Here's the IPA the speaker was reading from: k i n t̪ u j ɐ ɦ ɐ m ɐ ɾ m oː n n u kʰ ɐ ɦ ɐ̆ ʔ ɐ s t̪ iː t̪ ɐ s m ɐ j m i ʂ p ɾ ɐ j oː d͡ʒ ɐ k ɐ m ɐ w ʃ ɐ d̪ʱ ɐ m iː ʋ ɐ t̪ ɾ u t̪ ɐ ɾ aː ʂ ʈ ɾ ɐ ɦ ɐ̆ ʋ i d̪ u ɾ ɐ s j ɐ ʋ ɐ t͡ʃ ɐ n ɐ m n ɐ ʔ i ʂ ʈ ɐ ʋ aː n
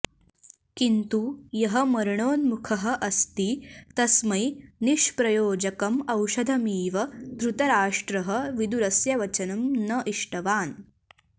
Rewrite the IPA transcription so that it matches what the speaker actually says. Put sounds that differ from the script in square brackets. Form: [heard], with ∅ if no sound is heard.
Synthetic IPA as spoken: k i n t̪ u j ɐ ɦ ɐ m ɐ ɾ [ɳ] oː n [m] u kʰ ɐ ɦ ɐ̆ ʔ ɐ s t̪ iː t̪ ɐ s m ɐ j [n] i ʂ p ɾ ɐ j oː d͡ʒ ɐ k ɐ m ɐ w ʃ ɐ d̪ʱ ɐ m iː ʋ ɐ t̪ ɾ u t̪ ɐ ɾ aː ʂ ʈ ɾ ɐ ɦ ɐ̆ ʋ i d̪ u ɾ ɐ s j ɐ ʋ ɐ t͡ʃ ɐ n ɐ m n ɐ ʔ i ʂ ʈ ɐ ʋ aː n